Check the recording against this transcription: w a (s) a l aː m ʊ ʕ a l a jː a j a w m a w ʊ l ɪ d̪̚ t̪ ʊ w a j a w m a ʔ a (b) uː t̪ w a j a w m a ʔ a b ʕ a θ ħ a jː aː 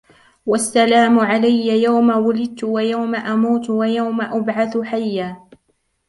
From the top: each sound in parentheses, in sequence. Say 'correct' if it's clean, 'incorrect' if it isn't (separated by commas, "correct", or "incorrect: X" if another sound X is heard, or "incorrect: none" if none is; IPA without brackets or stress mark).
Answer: incorrect: sː, incorrect: m